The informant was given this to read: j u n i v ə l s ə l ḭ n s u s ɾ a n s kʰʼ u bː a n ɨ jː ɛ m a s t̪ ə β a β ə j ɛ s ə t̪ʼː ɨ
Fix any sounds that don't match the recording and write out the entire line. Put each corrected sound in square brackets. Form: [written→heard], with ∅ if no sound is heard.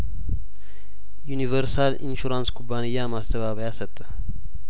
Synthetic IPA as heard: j u n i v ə [l→ɾ] s [ə→a] l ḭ n [s→ʃ] u [s→∅] ɾ a n s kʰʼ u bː a n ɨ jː [ɛ→a] m a s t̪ ə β a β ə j [ɛ→a] s ə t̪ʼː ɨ